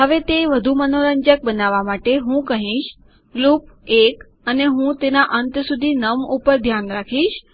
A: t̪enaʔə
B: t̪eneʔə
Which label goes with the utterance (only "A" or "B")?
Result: A